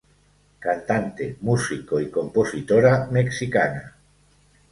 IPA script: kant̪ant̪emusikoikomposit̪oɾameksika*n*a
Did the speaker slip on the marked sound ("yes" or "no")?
no